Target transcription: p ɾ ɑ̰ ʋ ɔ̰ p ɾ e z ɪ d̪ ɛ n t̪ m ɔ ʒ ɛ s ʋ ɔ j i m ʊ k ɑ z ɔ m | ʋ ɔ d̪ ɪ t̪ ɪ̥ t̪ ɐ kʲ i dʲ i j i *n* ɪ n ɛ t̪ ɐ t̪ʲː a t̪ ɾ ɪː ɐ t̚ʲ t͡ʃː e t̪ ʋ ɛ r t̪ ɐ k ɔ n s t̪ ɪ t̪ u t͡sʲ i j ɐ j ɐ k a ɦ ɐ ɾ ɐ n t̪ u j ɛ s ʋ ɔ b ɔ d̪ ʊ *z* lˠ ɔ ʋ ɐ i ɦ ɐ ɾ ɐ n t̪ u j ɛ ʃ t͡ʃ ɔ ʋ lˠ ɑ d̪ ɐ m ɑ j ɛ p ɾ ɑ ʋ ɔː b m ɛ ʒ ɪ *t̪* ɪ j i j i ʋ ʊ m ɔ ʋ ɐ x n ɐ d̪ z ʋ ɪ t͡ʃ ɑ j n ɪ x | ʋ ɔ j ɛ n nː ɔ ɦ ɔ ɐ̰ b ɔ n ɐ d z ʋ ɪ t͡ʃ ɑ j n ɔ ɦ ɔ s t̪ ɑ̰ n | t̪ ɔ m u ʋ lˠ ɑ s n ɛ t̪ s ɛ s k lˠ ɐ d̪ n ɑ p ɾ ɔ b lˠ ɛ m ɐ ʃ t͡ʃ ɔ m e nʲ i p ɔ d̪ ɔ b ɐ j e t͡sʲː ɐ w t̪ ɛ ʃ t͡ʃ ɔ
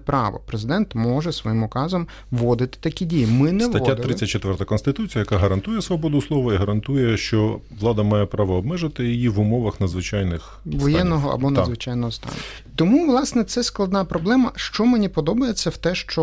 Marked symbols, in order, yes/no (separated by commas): no, no, yes